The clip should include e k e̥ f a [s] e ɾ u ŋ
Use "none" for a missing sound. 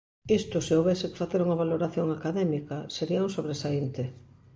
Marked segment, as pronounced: θ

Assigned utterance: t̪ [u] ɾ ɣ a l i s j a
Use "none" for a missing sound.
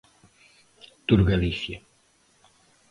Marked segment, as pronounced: u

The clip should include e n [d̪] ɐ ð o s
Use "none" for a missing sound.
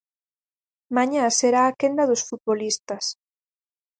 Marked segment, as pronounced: d̪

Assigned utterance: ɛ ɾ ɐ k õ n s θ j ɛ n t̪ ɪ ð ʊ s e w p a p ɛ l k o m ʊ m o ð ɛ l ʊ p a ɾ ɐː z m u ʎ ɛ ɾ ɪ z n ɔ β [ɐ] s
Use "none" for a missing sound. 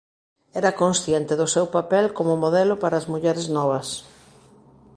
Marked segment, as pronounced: ɐ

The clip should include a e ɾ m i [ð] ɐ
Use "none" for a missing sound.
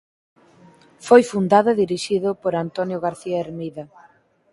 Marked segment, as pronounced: ð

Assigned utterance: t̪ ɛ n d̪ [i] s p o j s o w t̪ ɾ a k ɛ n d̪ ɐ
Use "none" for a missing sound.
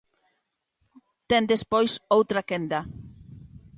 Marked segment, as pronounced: e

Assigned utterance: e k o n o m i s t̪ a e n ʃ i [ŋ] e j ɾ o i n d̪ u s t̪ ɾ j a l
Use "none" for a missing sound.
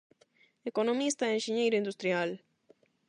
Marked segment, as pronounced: ɲ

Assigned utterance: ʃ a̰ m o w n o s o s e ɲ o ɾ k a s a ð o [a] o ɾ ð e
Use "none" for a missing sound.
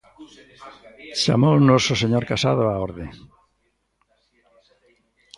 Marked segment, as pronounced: a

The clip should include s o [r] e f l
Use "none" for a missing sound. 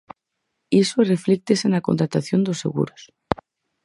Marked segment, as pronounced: r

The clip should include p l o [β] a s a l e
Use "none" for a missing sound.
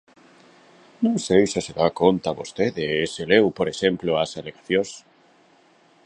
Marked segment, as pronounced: none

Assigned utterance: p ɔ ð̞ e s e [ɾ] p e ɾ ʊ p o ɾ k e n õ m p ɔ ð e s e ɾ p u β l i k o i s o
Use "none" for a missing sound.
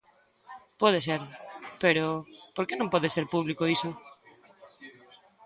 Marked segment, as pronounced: ɾ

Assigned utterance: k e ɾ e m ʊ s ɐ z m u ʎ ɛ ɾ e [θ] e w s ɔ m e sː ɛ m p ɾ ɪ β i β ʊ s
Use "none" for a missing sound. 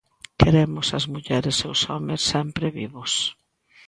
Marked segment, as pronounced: s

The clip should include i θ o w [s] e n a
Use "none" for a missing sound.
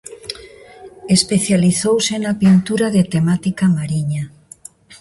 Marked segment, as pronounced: s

